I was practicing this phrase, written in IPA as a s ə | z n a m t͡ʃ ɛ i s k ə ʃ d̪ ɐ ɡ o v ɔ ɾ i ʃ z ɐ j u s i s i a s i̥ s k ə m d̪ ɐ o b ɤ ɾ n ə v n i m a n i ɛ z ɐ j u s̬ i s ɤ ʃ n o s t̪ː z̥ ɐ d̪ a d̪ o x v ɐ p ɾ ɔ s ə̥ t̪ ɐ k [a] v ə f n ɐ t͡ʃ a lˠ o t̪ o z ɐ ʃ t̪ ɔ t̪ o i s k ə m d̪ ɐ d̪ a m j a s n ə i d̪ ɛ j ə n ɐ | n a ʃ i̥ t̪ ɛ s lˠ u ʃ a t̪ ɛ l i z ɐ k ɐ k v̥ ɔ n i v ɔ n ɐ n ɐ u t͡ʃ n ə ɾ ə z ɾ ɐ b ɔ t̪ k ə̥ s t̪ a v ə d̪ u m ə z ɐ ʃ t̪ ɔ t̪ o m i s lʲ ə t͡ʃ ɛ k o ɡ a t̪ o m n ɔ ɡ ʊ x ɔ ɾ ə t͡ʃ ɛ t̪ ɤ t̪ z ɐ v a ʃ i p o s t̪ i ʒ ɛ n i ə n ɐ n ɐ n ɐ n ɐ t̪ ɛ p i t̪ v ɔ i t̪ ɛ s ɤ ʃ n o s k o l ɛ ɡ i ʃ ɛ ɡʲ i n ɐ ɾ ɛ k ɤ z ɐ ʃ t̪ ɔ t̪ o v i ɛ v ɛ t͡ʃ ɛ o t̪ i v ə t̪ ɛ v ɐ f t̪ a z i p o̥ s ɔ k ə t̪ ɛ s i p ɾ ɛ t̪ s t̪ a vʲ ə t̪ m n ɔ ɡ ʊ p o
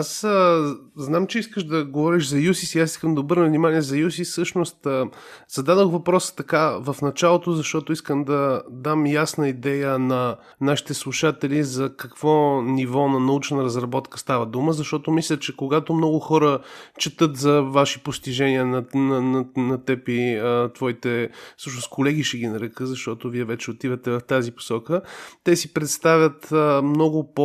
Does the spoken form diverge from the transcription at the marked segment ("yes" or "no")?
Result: no